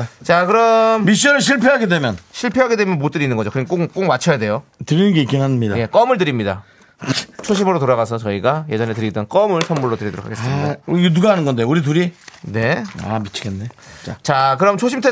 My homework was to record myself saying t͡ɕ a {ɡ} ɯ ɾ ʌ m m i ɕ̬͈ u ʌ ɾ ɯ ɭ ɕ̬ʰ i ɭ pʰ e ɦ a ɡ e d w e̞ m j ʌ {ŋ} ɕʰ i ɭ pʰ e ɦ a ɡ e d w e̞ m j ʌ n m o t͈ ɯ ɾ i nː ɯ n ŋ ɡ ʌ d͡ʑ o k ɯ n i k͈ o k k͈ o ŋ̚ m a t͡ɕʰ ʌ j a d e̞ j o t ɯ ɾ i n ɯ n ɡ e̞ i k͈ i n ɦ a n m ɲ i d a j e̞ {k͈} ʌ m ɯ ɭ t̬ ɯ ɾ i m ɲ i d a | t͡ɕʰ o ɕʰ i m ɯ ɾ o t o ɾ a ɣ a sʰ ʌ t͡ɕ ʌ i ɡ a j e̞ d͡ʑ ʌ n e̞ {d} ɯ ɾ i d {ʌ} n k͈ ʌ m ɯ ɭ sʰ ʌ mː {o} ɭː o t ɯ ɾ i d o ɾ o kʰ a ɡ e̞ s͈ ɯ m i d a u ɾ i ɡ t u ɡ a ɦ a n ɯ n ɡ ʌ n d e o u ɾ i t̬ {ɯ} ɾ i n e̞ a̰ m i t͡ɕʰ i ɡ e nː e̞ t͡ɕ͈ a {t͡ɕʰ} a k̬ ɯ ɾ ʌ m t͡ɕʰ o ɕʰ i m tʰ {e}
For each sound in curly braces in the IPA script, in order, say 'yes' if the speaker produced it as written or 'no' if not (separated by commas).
no, no, yes, no, yes, no, no, no, yes